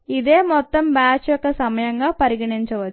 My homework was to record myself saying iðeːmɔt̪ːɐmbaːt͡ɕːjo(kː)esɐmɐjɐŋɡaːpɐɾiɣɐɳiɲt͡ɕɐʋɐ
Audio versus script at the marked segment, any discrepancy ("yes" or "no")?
no